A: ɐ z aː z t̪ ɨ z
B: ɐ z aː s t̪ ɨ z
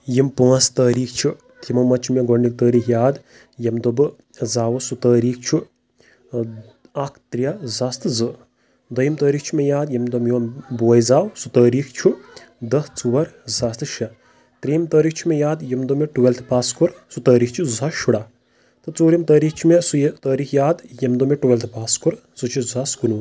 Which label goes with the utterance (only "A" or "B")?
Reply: B